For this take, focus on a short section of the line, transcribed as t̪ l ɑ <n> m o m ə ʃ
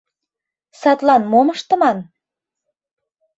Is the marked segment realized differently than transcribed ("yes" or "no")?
no